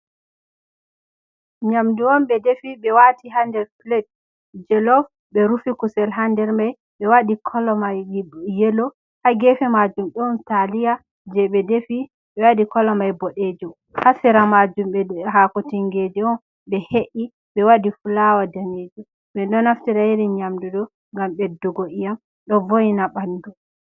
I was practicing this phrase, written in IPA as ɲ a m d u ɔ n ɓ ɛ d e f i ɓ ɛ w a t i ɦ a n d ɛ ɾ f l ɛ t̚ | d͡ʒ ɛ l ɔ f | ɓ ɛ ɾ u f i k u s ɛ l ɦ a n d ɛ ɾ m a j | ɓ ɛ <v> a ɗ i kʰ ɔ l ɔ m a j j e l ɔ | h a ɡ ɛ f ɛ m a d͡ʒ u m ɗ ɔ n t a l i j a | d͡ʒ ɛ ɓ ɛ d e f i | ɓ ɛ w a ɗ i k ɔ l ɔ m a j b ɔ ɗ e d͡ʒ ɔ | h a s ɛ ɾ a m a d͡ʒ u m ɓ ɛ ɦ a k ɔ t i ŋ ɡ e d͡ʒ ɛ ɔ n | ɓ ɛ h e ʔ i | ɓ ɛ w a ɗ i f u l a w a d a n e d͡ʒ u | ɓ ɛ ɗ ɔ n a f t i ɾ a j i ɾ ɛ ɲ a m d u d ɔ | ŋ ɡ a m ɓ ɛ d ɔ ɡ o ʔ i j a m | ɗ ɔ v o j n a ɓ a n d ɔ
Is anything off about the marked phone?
yes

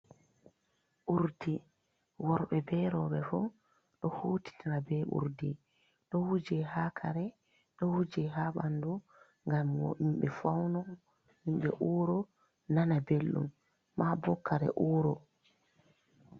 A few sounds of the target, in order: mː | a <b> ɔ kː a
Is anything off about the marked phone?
no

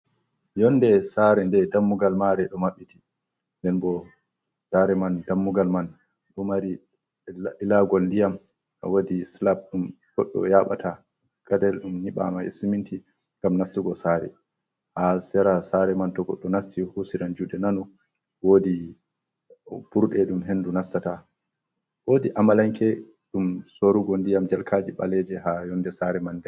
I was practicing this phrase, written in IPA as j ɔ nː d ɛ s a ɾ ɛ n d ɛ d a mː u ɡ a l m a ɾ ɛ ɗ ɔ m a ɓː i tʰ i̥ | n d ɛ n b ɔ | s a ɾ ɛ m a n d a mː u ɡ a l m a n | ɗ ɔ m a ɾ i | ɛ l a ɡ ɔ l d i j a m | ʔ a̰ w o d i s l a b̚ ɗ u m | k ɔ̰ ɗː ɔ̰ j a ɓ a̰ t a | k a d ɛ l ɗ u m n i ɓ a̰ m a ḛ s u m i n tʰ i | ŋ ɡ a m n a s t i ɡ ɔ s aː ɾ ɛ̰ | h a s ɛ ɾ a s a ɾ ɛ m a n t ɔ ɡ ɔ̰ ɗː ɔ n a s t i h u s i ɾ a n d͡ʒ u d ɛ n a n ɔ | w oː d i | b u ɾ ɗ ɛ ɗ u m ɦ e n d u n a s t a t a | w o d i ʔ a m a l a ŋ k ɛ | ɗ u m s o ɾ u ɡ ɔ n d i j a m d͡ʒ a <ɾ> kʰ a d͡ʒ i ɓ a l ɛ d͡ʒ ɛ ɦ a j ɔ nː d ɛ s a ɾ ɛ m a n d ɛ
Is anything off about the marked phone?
yes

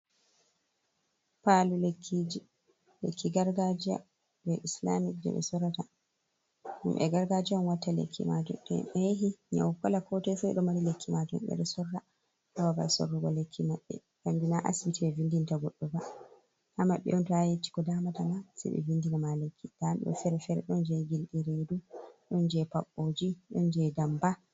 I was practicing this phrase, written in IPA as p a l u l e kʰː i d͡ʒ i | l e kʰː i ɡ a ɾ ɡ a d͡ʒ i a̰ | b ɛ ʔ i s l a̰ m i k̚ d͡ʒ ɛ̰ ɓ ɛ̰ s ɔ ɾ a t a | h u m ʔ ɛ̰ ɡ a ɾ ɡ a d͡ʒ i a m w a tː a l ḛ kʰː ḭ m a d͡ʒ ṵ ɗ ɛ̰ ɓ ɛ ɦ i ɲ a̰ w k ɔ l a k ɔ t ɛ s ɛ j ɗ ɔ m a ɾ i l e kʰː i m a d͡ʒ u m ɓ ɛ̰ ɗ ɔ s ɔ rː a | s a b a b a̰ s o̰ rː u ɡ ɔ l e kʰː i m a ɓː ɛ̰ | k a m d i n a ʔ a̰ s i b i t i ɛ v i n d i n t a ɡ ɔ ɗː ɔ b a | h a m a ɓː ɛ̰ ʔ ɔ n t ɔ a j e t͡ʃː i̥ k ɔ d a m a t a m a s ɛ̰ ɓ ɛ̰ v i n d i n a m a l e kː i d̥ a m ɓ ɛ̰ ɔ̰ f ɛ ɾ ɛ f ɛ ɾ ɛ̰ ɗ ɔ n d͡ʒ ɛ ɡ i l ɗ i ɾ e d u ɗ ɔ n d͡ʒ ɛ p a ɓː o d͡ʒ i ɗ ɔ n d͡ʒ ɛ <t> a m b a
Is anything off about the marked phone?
yes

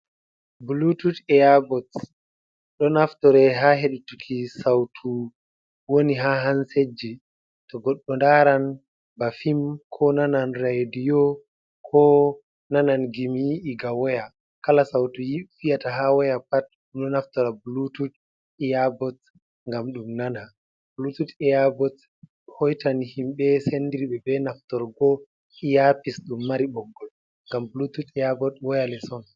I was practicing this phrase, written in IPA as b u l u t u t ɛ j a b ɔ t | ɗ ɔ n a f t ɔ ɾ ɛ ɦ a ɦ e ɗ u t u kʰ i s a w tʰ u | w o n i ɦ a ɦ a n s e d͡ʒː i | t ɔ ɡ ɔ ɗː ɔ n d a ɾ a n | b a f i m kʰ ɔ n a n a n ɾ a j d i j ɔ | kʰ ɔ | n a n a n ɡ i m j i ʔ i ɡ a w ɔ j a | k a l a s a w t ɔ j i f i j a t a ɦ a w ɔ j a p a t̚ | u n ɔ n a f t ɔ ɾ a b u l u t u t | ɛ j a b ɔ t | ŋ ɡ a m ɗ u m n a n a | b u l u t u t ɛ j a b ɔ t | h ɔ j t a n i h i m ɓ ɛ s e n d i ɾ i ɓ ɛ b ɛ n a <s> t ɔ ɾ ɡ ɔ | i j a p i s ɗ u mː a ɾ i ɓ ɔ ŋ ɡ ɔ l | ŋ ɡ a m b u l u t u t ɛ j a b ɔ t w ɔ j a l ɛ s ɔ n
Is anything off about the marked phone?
yes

